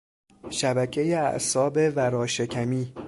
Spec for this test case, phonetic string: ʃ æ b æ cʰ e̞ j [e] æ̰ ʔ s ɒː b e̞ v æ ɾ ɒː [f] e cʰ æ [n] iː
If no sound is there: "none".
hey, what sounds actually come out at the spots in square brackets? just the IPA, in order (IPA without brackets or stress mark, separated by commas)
e, ʃ, m